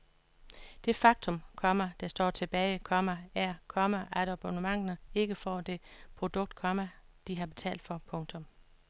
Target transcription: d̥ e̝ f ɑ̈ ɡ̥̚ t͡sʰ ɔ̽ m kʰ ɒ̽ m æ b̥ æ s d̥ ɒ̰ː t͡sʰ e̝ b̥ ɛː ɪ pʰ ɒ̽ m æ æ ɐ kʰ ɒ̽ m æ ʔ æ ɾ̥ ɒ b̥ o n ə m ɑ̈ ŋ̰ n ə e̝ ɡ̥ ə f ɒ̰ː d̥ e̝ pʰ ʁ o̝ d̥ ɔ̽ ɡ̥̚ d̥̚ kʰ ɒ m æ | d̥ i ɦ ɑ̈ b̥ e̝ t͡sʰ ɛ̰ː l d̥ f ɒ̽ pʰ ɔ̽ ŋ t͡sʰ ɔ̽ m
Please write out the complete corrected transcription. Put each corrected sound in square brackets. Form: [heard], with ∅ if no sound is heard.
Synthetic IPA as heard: d̥ e̝ f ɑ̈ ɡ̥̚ t͡sʰ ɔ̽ m kʰ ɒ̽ m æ [d̥] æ s d̥ ɒ̰ː t͡sʰ e̝ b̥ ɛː ɪ [kʰ] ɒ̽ m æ æ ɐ kʰ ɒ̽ m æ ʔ æ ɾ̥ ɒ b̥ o n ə m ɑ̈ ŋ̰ n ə e̝ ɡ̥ ə f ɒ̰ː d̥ e̝ pʰ ʁ o̝ d̥ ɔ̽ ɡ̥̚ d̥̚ kʰ ɒ m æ | d̥ i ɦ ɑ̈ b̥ e̝ t͡sʰ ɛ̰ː l d̥ f ɒ̽ pʰ ɔ̽ ŋ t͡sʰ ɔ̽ m